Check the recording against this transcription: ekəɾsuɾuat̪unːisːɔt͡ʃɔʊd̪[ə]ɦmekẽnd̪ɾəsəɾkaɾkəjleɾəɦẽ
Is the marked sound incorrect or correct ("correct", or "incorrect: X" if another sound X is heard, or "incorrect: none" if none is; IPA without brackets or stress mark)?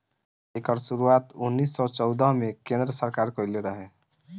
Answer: correct